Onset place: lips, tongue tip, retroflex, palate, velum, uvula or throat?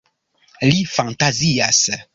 tongue tip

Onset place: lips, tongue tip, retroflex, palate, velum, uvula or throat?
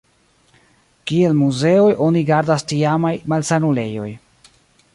velum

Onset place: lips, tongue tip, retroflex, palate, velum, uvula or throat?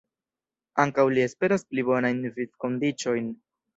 velum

